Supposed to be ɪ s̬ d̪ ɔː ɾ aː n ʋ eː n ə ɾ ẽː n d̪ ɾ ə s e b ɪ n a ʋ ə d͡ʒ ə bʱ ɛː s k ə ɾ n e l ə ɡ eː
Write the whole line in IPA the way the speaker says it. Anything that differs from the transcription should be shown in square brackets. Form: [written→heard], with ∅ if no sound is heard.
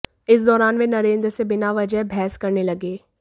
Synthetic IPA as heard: ɪ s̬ d̪ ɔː ɾ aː n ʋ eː n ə ɾ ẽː n d̪ ɾ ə s e b ɪ n a ʋ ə d͡ʒ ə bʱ ɛː s k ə ɾ n e l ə ɡ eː